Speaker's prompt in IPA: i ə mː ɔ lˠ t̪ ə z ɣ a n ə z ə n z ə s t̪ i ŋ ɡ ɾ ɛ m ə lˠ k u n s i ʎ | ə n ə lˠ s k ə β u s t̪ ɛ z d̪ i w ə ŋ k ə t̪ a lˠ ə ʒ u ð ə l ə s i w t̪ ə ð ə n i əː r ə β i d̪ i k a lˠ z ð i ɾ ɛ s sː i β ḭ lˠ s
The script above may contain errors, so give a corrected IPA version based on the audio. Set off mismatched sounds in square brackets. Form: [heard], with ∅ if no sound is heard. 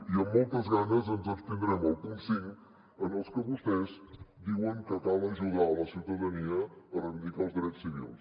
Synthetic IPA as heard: i ə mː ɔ lˠ t̪ ə z ɣ a n ə z ə n z ə s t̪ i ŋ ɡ ɾ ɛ m ə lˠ k u n s i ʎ | ə n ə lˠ s k ə β u s t̪ ɛ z d̪ i w ə ŋ k ə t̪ a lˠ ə ʒ u ð [a] l ə s i w t̪ ə ð ə n i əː r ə β i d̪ i k a lˠ z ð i ɾ ɛ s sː i β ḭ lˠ s